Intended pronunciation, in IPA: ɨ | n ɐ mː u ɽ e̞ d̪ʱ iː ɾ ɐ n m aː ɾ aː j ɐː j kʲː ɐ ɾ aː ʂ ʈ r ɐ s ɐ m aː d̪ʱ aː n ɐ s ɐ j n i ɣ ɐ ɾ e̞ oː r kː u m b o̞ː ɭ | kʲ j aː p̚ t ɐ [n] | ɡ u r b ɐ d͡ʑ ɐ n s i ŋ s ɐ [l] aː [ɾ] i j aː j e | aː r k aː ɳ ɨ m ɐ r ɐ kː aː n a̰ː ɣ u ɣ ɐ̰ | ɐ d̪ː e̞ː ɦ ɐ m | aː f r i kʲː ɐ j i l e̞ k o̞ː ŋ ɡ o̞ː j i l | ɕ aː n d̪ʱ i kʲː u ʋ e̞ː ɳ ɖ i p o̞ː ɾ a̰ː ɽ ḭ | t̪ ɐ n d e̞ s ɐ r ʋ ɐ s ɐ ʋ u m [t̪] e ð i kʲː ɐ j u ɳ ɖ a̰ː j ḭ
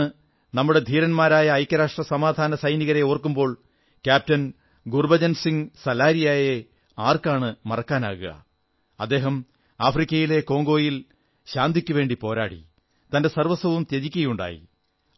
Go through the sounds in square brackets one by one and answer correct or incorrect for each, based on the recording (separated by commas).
correct, correct, correct, correct